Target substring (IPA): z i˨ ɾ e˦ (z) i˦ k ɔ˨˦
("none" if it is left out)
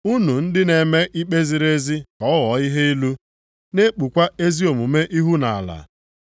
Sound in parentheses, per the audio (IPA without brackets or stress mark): z